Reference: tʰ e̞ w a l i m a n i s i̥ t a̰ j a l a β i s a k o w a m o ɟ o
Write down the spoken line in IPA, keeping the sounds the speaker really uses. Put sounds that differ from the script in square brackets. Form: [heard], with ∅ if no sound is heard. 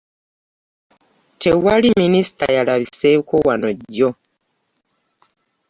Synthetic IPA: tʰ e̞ w a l i m [i] n i s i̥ t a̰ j a l a β i s [e] k o w a [n] o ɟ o

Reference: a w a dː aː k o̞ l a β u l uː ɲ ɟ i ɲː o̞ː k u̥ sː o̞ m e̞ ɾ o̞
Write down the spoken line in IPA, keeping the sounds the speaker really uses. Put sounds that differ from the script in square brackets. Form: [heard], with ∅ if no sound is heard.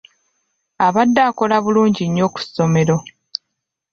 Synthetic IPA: a [β] a dː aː k o̞ l a β u l uː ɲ ɟ i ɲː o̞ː k u̥ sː o̞ m e̞ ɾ o̞

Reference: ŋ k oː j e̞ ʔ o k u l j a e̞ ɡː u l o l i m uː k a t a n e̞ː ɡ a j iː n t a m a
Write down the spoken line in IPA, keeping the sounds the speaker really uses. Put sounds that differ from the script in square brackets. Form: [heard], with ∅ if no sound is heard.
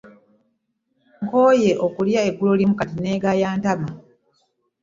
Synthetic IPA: ŋ k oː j e̞ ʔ o k u l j a e̞ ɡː u l o l i m [u] k a t [i] n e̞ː ɡ a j [aː] n t a m a

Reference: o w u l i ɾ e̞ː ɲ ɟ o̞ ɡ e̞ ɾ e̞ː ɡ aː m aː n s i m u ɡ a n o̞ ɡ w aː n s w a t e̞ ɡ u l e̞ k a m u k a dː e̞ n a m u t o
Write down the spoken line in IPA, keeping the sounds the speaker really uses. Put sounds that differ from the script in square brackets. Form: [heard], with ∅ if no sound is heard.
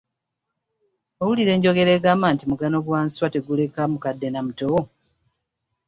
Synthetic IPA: o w u l i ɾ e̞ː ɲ ɟ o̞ ɡ e̞ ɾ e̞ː ɡ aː m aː n [t] i m u ɡ a n o̞ ɡ w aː n s w a t e̞ ɡ u l e̞ k a m u k a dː e̞ n a m u t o

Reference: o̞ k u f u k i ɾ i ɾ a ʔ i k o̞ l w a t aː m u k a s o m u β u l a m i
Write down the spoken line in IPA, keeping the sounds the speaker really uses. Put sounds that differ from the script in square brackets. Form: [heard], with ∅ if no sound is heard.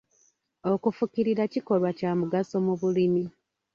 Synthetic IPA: o̞ k u f u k i ɾ i ɾ a [c] i k o̞ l w a [c] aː m u [ɡ] a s o m u β u l [i] m i

